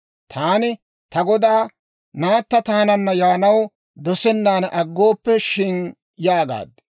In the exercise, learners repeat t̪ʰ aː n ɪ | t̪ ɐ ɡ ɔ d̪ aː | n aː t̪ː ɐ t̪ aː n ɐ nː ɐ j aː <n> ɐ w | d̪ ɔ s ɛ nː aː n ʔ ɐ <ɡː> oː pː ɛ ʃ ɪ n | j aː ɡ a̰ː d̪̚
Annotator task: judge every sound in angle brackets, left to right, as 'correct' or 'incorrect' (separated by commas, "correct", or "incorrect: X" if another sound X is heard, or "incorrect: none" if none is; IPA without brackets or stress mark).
correct, correct